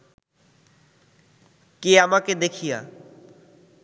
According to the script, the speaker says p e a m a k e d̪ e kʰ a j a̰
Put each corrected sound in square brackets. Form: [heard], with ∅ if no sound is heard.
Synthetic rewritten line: [k] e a m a k e d̪ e kʰ [i] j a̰

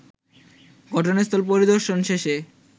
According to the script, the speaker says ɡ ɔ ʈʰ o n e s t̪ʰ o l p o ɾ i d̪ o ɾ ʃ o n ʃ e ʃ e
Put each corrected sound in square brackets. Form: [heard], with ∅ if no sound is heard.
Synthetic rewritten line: ɡ ɔ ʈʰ o n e s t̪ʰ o l p o ɾ i d̪ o ɾ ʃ o n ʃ e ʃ e

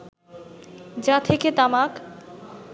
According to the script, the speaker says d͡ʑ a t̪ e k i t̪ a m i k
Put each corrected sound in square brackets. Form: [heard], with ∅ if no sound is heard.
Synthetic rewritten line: d͡ʑ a [t̪ʰ] e k [e] t̪ a m [a] k

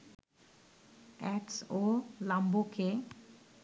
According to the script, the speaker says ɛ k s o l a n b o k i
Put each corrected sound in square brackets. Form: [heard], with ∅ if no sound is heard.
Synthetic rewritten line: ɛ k s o l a [m] b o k [e]

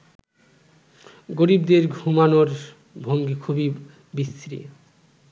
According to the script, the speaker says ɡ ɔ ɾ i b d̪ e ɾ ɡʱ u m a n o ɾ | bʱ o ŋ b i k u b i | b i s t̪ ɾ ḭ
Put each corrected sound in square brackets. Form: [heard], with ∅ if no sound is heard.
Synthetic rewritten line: ɡ [o] ɾ i b d̪ e ɾ ɡʱ u m a n o ɾ | bʱ o ŋ [ɡ] i [kʰ] u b i | b i s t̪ ɾ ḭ

